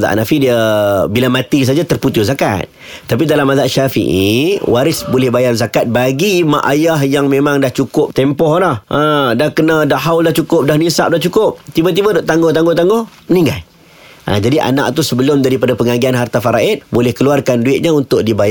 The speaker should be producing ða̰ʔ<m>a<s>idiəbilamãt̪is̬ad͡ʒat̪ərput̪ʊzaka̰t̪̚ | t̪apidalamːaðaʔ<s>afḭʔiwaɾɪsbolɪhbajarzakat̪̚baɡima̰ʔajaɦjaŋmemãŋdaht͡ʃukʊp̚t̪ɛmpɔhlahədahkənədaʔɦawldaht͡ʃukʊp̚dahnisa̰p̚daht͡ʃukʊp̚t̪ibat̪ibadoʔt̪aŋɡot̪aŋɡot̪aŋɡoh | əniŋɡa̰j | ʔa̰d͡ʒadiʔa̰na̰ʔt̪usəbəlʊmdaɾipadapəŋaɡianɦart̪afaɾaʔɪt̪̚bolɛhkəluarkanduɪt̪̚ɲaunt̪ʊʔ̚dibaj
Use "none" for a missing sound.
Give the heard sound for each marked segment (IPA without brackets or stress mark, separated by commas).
n, f, ʃ